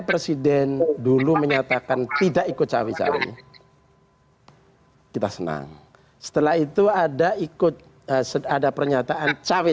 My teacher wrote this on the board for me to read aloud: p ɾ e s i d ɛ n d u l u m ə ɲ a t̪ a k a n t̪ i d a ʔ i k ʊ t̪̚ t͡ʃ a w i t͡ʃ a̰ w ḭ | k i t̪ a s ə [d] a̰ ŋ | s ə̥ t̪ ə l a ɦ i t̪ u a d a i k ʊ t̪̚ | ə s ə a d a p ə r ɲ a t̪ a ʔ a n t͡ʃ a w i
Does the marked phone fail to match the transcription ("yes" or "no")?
yes